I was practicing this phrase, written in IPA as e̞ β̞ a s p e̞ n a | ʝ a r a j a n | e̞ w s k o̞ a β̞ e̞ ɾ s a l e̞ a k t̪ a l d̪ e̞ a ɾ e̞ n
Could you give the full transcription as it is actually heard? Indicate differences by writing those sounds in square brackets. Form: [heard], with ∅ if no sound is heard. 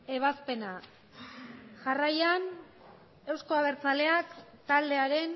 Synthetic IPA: e̞ β̞ a s p e̞ n a | ʝ a r a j a n | e̞ w s k o̞ a β̞ e̞ ɾ [t͡s] a l e̞ a k t̪ a l d̪ e̞ a ɾ e̞ n